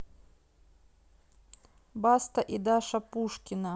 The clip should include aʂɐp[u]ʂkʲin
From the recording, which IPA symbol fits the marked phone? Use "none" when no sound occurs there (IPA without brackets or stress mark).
u